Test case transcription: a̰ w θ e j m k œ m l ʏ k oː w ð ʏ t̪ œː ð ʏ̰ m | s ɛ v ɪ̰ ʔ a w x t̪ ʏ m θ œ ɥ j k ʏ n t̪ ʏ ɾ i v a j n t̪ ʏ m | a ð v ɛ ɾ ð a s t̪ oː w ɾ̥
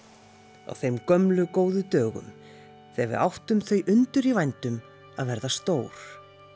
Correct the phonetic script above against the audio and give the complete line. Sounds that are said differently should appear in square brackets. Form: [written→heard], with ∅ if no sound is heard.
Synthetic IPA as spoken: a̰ w θ e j m k œ m l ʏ k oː w ð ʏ t̪ œː [ð→ɣ] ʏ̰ m | [s→θ] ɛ v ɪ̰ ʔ a w [x→h] t̪ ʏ m θ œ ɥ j [k→ʔ] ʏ n t̪ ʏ ɾ i v a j n t̪ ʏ m | a ð v ɛ ɾ ð a s t̪ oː w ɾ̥